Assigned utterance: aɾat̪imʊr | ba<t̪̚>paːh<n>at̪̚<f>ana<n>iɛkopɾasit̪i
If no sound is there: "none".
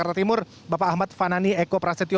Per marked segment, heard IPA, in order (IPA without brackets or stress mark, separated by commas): none, m, f, n